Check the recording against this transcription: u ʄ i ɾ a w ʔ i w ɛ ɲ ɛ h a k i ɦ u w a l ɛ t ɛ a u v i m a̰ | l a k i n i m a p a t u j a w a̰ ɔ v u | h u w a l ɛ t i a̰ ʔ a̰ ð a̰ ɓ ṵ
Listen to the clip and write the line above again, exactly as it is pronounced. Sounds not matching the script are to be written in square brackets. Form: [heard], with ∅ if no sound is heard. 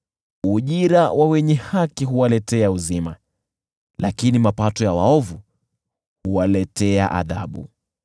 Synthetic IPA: u ʄ i ɾ a w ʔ [a] w ɛ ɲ ɛ h a k i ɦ u w a l ɛ t ɛ a u [z] i m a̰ | l a k i n i m a p a t [ɔ] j a w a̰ ɔ v u | h u w a l ɛ t [ɛ] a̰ ʔ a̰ ð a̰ ɓ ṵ